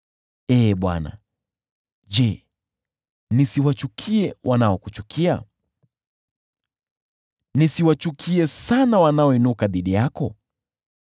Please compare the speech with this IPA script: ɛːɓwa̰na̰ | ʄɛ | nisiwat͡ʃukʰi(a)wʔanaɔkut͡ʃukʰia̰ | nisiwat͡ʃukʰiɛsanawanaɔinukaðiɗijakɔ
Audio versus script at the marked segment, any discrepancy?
yes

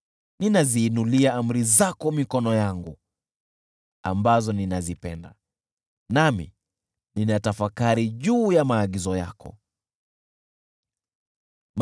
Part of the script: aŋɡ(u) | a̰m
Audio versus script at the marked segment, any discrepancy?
no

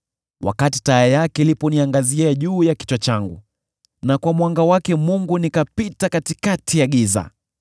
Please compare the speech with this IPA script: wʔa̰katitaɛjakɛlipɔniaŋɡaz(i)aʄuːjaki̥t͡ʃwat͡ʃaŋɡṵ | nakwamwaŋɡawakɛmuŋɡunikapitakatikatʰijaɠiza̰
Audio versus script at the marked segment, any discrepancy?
no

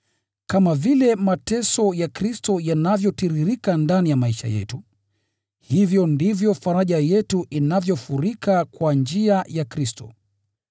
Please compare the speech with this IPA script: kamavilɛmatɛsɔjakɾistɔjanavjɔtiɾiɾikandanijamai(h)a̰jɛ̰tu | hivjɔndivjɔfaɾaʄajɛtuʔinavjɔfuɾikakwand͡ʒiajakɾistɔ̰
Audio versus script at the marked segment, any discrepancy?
yes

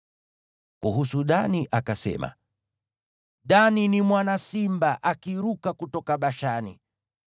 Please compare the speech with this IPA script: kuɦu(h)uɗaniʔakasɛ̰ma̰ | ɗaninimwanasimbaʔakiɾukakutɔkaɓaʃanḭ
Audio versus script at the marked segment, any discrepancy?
yes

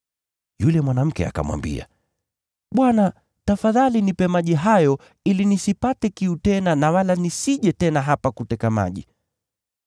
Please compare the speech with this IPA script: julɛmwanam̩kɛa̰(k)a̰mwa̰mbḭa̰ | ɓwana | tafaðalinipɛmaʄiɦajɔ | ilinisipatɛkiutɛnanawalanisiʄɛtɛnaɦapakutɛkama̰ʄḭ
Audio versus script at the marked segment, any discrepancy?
no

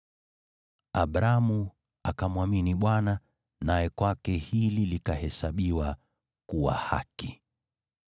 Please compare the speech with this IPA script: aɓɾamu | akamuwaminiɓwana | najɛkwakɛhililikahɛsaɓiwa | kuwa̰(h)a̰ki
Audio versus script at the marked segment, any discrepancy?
no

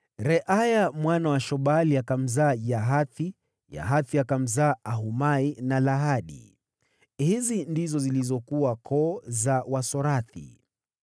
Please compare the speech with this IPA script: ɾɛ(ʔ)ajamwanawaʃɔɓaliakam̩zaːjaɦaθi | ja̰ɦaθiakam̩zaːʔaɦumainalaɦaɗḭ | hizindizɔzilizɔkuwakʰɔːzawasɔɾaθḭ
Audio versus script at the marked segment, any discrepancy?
no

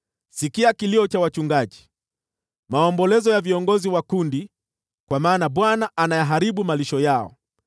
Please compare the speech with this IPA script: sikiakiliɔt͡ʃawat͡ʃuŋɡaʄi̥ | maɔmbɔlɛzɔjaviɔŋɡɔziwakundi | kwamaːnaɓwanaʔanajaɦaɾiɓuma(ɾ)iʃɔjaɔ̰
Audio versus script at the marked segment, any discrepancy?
yes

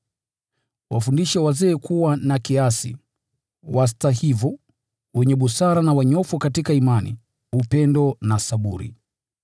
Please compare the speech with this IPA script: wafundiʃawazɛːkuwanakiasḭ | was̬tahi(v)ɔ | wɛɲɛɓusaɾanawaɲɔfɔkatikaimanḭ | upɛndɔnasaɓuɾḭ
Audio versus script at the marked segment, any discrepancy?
no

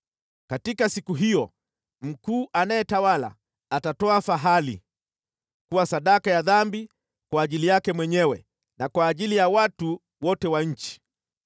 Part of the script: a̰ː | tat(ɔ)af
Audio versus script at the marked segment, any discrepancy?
no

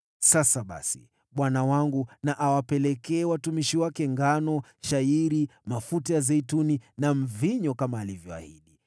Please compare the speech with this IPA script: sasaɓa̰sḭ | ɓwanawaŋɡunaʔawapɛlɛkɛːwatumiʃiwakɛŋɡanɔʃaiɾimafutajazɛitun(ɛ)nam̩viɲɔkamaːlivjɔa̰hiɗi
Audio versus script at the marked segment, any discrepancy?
yes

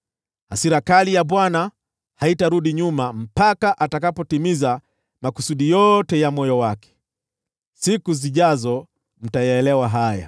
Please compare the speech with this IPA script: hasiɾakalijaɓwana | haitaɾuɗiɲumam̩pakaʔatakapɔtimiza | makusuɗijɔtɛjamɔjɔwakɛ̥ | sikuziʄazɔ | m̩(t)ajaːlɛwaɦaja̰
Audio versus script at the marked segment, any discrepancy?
no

